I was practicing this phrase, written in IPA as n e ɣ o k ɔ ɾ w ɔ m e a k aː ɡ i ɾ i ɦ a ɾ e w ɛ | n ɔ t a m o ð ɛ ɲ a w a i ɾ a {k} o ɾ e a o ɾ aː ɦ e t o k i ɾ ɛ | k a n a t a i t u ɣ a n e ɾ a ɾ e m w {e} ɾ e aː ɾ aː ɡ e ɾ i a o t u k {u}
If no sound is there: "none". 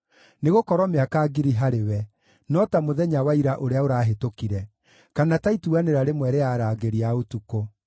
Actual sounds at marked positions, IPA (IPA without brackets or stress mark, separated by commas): ʔ, ɛ, o